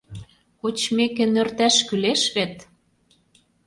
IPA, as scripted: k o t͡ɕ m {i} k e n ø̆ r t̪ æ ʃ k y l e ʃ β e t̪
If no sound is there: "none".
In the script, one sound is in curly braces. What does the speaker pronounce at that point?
e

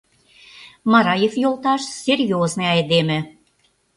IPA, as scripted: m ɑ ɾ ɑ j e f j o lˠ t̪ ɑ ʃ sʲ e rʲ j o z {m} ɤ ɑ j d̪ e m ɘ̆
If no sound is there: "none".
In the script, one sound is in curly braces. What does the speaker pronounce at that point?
n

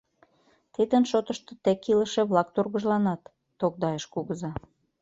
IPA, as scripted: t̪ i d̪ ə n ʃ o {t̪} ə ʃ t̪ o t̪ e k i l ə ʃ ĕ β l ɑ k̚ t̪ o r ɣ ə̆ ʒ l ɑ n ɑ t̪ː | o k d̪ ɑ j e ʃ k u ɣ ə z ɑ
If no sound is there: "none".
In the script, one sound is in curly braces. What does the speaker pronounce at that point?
t̪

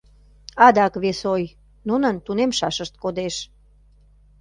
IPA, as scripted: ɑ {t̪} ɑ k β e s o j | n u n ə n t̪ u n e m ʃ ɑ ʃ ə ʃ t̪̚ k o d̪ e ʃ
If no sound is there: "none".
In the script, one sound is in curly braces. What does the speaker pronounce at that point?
d̪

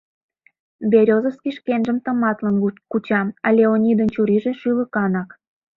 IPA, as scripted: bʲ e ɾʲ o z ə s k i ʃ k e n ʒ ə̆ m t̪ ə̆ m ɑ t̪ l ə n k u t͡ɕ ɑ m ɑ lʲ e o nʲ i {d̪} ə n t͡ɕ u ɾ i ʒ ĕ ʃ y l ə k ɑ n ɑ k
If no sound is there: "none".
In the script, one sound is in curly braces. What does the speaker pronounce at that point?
d̪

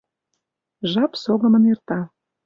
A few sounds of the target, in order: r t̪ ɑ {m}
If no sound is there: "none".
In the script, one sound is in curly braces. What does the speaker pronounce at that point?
none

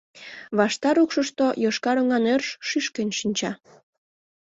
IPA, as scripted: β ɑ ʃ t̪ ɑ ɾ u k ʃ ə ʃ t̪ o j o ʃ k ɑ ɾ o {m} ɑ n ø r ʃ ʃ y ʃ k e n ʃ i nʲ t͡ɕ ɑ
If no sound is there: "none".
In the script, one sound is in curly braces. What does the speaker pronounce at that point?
ŋ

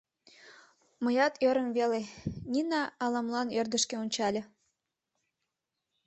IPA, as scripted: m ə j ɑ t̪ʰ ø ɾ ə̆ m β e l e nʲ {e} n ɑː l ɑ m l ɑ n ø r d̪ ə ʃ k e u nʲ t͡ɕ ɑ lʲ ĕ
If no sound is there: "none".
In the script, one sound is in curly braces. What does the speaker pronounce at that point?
i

